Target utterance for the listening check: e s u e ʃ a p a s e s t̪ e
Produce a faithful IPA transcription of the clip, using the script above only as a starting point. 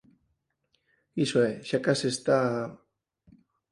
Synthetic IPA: i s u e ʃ a k a s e s t̪ a